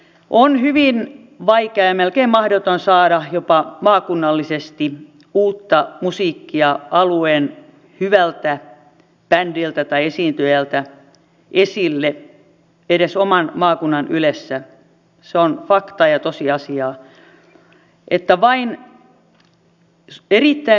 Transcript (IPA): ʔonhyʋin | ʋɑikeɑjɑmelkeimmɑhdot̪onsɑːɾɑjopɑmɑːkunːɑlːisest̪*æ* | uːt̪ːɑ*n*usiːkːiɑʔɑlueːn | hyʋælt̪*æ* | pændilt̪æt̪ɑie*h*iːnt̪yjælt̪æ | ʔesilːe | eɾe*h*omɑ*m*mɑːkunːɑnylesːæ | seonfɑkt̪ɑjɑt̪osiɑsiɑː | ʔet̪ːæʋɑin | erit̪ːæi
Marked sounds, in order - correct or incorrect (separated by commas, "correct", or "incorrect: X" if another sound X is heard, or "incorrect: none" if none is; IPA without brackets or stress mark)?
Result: incorrect: i, incorrect: m, correct, incorrect: s, incorrect: s, incorrect: n